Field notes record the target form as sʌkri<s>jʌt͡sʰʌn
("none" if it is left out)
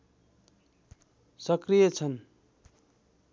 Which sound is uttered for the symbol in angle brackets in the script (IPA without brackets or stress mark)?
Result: none